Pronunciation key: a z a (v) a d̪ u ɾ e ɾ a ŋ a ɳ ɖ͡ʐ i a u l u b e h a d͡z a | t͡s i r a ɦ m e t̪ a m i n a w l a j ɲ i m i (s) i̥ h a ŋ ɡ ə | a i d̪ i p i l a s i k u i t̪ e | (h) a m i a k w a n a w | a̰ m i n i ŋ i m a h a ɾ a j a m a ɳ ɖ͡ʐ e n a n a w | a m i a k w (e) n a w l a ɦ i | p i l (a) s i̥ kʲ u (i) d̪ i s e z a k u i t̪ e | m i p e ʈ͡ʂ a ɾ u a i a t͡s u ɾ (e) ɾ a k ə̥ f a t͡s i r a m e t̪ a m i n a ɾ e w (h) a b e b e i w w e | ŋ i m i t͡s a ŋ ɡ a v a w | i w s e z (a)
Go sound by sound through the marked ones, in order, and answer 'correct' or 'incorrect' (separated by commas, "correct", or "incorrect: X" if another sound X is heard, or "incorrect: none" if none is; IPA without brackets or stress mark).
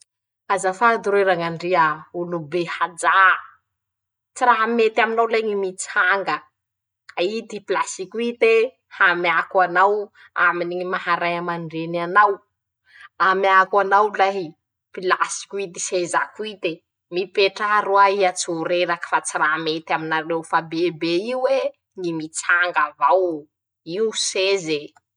incorrect: f, incorrect: t͡s, correct, incorrect: a, correct, correct, correct, incorrect: f, incorrect: e